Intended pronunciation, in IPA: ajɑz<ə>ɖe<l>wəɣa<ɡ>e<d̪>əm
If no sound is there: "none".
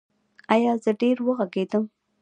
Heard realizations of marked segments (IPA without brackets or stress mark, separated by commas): ə, ɾ, ɡ, d̪